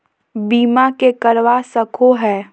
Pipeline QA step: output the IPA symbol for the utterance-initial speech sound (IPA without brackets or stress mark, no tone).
b